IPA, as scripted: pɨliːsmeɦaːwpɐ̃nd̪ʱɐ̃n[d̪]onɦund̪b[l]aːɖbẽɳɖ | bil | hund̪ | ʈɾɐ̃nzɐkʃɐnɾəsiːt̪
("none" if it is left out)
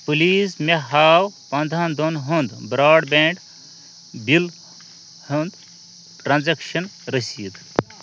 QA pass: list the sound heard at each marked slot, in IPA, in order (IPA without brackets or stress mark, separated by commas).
d̪, ɾ